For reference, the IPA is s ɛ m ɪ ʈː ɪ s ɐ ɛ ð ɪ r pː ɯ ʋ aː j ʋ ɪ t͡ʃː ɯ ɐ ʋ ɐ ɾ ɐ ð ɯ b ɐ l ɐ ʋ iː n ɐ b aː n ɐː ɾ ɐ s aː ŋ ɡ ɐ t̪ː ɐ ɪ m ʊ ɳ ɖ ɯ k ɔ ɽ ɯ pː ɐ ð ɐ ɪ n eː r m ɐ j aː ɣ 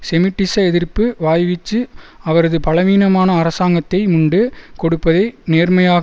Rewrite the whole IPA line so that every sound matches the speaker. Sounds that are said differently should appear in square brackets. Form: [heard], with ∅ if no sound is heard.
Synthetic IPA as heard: s ɛ m ɪ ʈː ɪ s ɐ ɛ ð ɪ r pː ɯ ʋ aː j ʋ ɪ t͡ʃː ɯ ɐ ʋ ɐ ɾ ɐ ð ɯ [p] ɐ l ɐ ʋ iː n ɐ [m] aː n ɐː ɾ ɐ s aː ŋ ɡ ɐ t̪ː ɐ ɪ m ʊ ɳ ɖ ɯ k ɔ ɽ ɯ pː ɐ ð ɐ ɪ n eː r m ɐ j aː ɣ